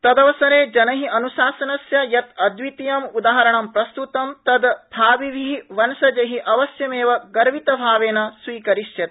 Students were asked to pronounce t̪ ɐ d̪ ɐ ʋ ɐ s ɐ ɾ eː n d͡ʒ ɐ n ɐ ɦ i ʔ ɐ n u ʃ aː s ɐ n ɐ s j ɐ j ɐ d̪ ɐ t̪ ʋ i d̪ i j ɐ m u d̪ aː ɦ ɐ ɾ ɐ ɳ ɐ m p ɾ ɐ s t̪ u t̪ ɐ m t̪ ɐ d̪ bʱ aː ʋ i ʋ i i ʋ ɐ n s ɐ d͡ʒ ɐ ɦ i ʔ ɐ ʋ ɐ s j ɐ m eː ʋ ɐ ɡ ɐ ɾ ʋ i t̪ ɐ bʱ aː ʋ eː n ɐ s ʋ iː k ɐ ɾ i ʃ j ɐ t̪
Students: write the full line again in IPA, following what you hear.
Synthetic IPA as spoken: t̪ ɐ d̪ ɐ ʋ ɐ s ɐ ɾ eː d͡ʒ ɐ n ɐ ɦ i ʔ ɐ n u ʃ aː s ɐ n ɐ s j ɐ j ɐ t̪ ɐ d̪ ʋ i t̪ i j ɐ m u d̪ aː ɦ ɐ ɾ ɐ ɳ ɐ m p ɾ ɐ s t̪ u t̪ ɐ m t̪ ɐ d̪ bʱ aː ʋ i ʋ i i ʋ ɐ n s ɐ d͡ʒ ɐ ɦ i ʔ ɐ ʋ ɐ s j ɐ m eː ʋ ɐ ɡ ɐ ɾ ʋ i t̪ ɐ bʱ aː ʋ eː n ɐ s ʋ iː k ɐ ɾ i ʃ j ɐ t̪